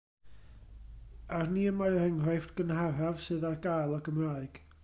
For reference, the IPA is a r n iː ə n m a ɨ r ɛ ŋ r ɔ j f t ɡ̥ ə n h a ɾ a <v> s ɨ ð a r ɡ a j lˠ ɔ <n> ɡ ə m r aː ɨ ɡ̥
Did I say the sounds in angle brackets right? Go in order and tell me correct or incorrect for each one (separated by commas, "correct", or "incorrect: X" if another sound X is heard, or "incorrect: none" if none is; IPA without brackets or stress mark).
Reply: correct, incorrect: none